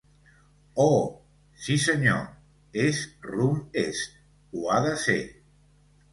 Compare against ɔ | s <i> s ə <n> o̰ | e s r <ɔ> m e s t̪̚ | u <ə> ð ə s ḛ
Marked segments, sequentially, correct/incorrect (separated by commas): correct, incorrect, incorrect, incorrect